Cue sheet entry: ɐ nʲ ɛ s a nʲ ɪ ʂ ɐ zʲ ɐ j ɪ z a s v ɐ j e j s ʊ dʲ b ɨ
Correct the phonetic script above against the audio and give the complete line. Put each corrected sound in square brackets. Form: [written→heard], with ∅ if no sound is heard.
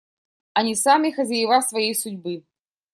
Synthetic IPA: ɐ nʲ [ɛ→i] s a [nʲ→mʲ] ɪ [ʂ→x] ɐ zʲ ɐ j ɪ [z→v] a s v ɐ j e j s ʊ dʲ b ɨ